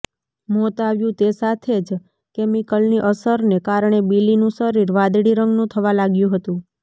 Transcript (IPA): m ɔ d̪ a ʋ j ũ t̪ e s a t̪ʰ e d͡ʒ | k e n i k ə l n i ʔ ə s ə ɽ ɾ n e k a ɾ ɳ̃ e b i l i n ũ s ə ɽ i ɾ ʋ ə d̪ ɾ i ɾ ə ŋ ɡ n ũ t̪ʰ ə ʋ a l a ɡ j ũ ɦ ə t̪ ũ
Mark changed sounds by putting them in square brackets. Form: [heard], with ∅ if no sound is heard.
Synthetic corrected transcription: m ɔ [t̪] a ʋ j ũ t̪ e s a t̪ʰ e d͡ʒ | k e [m] i k ə l n i ʔ ə s ə [∅] ɾ n e k a ɾ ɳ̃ e b i l i n ũ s ə [ɾ] i ɾ ʋ [a] d̪ [ɽ] i ɾ ə ŋ ɡ n ũ t̪ʰ ə ʋ a l a ɡ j ũ ɦ ə t̪ ũ